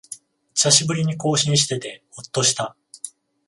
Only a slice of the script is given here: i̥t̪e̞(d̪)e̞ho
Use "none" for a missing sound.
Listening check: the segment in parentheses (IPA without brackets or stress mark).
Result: t̪